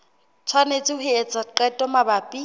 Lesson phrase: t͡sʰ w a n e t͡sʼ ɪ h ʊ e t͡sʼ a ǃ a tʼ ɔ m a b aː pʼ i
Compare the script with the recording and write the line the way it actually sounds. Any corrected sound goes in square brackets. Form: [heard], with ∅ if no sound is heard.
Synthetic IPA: t͡sʰ w a n e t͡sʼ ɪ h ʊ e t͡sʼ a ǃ [ɛ] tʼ ɔ m a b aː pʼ i